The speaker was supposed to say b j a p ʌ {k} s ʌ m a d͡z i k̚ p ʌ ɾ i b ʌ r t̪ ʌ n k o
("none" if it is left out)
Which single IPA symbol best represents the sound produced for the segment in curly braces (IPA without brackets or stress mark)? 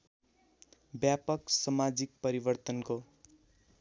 k